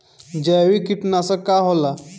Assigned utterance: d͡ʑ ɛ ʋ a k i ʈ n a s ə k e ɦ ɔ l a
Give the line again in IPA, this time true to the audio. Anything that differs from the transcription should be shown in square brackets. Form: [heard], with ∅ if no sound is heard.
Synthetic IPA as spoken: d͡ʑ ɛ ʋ [i] k i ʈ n a s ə k [a] ɦ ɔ l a